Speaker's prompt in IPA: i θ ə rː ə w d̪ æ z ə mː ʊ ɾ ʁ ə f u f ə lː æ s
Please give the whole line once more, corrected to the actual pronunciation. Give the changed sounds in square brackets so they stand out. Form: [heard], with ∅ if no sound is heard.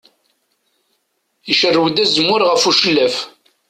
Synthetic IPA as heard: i [ʃ] ə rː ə w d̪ æ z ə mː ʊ ɾ ʁ ə f u [ʃ] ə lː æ [f]